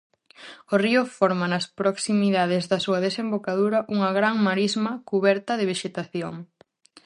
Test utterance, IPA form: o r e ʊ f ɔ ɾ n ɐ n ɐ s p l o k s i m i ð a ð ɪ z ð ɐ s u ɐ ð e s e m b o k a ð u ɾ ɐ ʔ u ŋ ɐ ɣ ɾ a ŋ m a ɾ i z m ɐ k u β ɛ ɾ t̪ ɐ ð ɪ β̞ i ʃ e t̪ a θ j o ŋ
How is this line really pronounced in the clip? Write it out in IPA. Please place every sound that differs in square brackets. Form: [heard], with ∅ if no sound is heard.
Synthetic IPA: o r [i] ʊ f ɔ ɾ [m] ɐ n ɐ s p [ɾ] o k s i m i ð a ð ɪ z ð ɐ s u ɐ ð e s e m b o k a ð u ɾ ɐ ʔ u ŋ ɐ ɣ ɾ a ŋ m a ɾ i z m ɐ k u β ɛ ɾ t̪ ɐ ð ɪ β̞ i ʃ e t̪ a θ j o ŋ

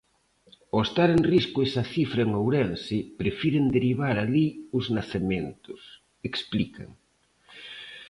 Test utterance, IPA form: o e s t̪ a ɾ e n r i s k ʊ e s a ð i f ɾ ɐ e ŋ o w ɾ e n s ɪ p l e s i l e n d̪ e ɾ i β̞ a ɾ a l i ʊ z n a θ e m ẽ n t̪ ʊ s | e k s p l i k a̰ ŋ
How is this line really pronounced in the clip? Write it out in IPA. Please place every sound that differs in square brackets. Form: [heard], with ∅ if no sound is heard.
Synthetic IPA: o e s t̪ a ɾ e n r i s k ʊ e s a [θ] i f ɾ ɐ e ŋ o w ɾ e n s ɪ p [ɾ] e [f] i [ɾ] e n d̪ e ɾ i β̞ a ɾ a l i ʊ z n a θ e m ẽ n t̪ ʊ s | e k s p l i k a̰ ŋ

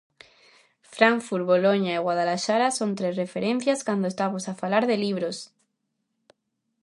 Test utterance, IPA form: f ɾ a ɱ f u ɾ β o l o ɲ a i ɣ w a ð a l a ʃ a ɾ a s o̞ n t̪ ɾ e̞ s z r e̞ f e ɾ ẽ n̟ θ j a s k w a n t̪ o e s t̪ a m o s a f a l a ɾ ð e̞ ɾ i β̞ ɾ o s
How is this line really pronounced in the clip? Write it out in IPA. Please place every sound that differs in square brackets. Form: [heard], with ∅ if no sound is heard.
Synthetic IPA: f ɾ a ɱ f u ɾ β o l o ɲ a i ɣ w a ð a l a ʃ a ɾ a s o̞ n t̪ ɾ e̞ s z r e̞ f e ɾ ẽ n̟ θ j a s k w a n [d̪] o e s t̪ a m o s a f a l a ɾ ð e̞ [l] i β̞ ɾ o s

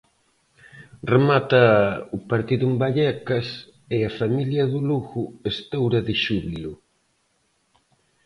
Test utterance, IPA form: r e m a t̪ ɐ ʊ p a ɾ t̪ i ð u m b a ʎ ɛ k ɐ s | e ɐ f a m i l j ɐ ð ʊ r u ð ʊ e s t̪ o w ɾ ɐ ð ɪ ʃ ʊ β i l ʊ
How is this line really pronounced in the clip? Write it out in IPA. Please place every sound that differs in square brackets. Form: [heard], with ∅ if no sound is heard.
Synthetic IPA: r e m a t̪ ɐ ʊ p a ɾ t̪ i ð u m b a ʎ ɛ k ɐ s | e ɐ f a m i l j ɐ ð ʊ [l] u [ɣ] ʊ e s t̪ o w ɾ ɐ ð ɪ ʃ [u] β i l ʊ

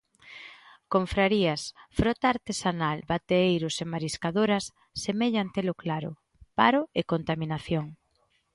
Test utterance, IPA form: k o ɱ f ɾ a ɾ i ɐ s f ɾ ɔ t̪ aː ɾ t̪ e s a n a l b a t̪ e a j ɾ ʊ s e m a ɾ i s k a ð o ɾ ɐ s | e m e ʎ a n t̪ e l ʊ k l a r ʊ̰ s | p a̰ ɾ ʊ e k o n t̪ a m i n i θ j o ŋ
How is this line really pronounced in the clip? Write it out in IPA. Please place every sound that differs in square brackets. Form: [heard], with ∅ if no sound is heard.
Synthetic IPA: k o ɱ f ɾ a ɾ i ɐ s f ɾ ɔ t̪ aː ɾ t̪ e s a n a l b a t̪ e [e] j ɾ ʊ s e m a ɾ i s k a ð o ɾ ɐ [sː] | e m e ʎ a n t̪ e l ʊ k l a [ɾ] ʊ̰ [∅] | p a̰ ɾ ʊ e k o n t̪ a m i n [a] θ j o ŋ

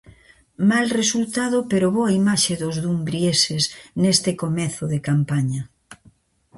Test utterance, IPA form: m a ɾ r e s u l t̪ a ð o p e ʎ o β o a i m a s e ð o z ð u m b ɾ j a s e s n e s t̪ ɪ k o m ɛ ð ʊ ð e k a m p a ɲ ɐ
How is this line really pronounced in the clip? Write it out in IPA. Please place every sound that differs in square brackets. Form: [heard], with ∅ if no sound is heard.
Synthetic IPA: m a [l] r e s u l t̪ a ð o p e [ɾ] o β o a i m a [ʃ] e ð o z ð u m b ɾ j [e] s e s n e s t̪ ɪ k o m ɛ [θ] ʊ ð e k a m p a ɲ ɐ

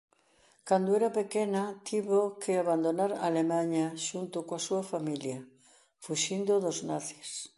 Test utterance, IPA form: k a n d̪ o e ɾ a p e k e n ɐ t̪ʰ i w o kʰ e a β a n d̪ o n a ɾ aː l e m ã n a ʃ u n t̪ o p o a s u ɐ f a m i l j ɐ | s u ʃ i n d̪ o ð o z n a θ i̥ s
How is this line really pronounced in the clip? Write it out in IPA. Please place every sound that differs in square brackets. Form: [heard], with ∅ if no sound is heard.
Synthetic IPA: k a n d̪ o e ɾ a p e k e n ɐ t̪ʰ i [β] o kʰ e a β a n d̪ o n a ɾ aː l e m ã [ɲ] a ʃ u n t̪ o [k] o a s u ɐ f a m i l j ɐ | [f] u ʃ i n d̪ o ð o z n a θ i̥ s

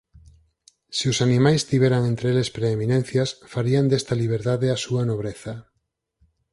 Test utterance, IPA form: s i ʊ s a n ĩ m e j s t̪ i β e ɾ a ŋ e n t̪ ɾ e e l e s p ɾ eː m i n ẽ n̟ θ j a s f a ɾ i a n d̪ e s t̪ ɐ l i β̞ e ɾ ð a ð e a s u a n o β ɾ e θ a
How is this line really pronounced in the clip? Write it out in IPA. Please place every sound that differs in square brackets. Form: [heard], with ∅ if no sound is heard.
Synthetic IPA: s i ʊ s a n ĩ m [a] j s t̪ i β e ɾ a ŋ e n t̪ ɾ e e l e s p ɾ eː m i n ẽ n̟ θ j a s f a ɾ i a n d̪ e s t̪ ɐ l i β̞ e ɾ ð a ð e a s u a n o β ɾ e θ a

